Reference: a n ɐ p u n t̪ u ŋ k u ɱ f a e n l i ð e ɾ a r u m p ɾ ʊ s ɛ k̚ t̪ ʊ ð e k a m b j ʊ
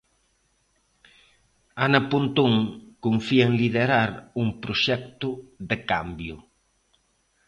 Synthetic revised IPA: a n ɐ p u n t̪ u ŋ k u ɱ f i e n l i ð e ɾ a ɾ u ŋ p ɾ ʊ ʃ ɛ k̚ t̪ ʊ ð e k a m b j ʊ